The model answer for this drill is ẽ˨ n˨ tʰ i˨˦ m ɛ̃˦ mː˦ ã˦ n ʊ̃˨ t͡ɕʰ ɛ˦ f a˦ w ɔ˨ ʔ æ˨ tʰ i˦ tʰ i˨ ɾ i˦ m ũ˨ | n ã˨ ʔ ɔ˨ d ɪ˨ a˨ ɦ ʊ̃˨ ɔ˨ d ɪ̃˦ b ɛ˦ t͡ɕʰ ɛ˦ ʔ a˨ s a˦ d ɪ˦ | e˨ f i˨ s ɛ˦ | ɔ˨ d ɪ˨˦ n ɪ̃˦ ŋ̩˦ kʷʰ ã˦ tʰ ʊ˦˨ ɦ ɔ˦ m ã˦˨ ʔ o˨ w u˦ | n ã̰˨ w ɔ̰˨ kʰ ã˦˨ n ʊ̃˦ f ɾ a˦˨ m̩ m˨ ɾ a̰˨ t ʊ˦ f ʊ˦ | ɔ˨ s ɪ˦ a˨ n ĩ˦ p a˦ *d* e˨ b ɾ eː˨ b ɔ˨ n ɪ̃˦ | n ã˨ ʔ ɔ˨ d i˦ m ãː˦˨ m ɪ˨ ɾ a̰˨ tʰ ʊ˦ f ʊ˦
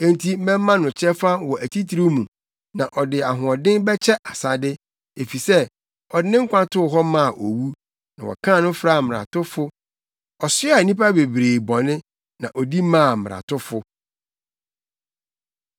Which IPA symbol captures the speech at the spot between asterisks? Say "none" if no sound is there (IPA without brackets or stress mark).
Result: b